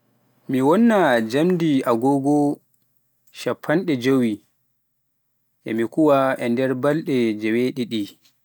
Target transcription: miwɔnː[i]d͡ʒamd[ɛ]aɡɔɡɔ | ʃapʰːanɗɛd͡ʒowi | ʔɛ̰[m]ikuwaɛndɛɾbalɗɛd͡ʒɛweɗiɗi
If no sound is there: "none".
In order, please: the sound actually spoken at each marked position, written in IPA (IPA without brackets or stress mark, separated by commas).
a, i, m